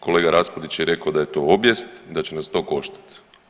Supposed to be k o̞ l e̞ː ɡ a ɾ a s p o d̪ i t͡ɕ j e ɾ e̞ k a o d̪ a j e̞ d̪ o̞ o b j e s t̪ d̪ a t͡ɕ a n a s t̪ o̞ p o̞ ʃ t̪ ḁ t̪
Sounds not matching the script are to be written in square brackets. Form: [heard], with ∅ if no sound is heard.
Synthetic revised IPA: k o̞ l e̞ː ɡ a ɾ a s p o d̪ i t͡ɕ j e ɾ e̞ k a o d̪ a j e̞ [t̪] o̞ o b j e s t̪ d̪ a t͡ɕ [e] n a s t̪ o̞ [k] o̞ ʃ t̪ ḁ t̪

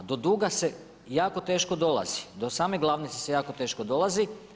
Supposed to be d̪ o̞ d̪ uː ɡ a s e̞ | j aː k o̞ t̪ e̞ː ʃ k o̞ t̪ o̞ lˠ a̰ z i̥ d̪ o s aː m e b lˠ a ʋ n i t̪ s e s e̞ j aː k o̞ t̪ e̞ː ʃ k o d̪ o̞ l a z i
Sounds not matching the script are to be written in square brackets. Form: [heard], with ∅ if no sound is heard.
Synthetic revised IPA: d̪ o̞ d̪ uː ɡ a s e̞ | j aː k o̞ t̪ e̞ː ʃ k o̞ [d̪] o̞ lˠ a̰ z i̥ d̪ o s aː m e [ɡ] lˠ a ʋ n i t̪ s e s e̞ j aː k o̞ t̪ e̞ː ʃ k o d̪ o̞ l a z i

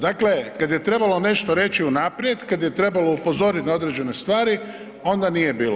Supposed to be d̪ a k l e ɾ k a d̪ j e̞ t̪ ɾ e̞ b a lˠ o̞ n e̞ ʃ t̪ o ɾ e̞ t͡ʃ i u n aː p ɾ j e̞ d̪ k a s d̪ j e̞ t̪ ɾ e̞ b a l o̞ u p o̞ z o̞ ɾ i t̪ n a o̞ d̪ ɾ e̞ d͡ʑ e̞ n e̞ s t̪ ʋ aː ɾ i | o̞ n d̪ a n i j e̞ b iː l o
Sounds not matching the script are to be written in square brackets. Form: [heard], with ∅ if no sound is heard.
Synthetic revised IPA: d̪ a k l e [∅] k a d̪ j e̞ t̪ ɾ e̞ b a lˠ o̞ n e̞ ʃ t̪ o ɾ e̞ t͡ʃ i u n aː p ɾ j e̞ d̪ k a [∅] d̪ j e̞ t̪ ɾ e̞ b a l o̞ u p o̞ z o̞ ɾ i t̪ n a o̞ d̪ ɾ e̞ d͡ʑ e̞ n e̞ s t̪ ʋ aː ɾ i | o̞ n d̪ a n i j e̞ b iː l o

